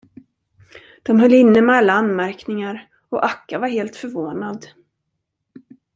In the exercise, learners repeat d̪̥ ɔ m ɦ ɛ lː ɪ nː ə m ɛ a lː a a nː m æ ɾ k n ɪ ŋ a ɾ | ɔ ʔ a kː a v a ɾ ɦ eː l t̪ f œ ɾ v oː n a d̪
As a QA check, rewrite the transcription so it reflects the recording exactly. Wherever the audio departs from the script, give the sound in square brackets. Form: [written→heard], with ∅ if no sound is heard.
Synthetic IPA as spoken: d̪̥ ɔ m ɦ [ɛ→œ] lː ɪ nː ə m ɛ a lː a a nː m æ ɾ k n ɪ ŋ a ɾ | ɔ ʔ a kː a v a ɾ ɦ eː l t̪ f œ ɾ v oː n a d̪

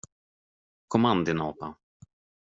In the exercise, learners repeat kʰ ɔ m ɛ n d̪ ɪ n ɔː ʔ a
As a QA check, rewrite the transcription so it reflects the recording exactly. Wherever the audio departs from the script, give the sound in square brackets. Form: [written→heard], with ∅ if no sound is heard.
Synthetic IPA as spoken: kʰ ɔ m [ɛ→a] n d̪ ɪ n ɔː [ʔ→p] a

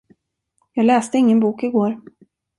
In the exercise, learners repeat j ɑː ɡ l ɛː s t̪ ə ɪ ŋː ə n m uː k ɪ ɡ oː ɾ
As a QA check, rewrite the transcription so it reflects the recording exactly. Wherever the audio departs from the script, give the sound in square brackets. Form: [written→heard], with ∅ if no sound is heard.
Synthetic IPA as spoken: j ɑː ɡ l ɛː s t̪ ə ɪ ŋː ə n [m→b] uː k ɪ ɡ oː ɾ

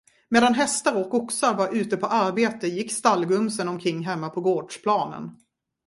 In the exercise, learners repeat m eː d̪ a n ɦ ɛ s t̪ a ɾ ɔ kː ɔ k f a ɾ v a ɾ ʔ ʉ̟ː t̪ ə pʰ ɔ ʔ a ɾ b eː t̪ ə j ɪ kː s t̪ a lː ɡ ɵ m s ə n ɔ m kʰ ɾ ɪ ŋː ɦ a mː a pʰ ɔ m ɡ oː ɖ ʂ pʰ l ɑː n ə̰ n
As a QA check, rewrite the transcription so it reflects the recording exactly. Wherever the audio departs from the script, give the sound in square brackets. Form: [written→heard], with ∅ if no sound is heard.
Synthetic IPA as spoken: m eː d̪ a n ɦ ɛ s t̪ a ɾ ɔ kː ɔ k [f→s] a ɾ v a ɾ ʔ ʉ̟ː t̪ ə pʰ ɔ ʔ a ɾ b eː t̪ ə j ɪ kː s t̪ a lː ɡ ɵ m s ə n ɔ m kʰ ɾ ɪ ŋː ɦ [a→ɛ] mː a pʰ ɔ [m→∅] ɡ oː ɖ ʂ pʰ l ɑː n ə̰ n

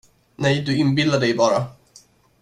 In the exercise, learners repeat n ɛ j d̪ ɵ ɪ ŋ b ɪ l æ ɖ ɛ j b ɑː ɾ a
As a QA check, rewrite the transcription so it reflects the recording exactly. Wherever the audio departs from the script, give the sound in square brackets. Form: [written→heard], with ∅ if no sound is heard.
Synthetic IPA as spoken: n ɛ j d̪ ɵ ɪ [ŋ→n] b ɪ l [æ→a] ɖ ɛ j b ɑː ɾ a

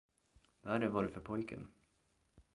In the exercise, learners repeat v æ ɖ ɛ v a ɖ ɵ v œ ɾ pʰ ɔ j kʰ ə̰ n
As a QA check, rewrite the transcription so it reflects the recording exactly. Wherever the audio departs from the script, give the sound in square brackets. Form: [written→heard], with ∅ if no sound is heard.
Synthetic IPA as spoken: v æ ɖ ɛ v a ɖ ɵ [v→f] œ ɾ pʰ ɔ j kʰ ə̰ n

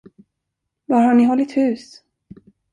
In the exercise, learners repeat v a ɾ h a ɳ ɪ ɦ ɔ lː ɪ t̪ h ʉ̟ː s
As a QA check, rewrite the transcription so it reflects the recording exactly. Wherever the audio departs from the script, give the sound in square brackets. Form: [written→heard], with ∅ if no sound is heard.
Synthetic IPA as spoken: v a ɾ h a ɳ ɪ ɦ ɔ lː ɪ t̪ h ʉ̟ː s

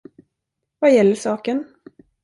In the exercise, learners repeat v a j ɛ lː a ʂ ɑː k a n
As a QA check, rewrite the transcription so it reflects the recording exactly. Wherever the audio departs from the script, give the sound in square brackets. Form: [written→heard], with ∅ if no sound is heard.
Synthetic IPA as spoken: v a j ɛ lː [a→ə] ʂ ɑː k [a→ə] n

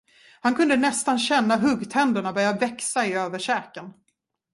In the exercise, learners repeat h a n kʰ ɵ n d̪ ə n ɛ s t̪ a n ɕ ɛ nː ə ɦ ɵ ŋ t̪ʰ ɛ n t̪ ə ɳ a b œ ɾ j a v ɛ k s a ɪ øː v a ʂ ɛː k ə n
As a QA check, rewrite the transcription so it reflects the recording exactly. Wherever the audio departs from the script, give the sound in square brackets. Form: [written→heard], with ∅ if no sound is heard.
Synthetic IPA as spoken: h a n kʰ ɵ n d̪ ə n ɛ s t̪ a n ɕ ɛ nː [ə→a] ɦ ɵ [ŋ→ɡ] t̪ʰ ɛ n [t̪→d̪] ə ɳ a b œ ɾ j a v ɛ k s a ɪ øː v [a→ə] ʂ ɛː k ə n

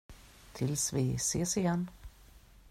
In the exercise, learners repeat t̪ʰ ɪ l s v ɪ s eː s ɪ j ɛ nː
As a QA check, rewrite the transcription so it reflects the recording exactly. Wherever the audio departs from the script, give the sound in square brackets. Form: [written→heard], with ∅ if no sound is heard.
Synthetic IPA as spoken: t̪ʰ ɪ l s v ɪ s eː s ɪ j ɛ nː

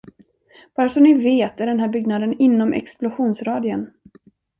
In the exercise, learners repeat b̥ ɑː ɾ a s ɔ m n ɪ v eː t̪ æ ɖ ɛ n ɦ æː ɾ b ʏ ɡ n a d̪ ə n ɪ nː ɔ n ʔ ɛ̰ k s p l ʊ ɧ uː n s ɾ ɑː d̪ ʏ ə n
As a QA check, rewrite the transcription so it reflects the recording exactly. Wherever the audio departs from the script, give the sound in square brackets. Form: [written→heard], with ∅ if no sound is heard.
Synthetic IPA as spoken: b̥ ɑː ɾ a s ɔ m n ɪ v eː t̪ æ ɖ ɛ n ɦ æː ɾ b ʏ ɡ n a d̪ ə n ɪ nː ɔ [n→m] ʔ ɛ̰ k s p l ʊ ɧ uː n s ɾ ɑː d̪ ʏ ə n

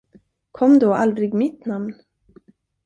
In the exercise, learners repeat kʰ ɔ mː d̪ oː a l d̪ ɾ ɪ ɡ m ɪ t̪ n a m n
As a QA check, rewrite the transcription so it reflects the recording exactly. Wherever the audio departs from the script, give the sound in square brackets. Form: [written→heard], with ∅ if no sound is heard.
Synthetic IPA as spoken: kʰ ɔ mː d̪ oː a l d̪ ɾ ɪ ɡ m ɪ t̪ n a m n

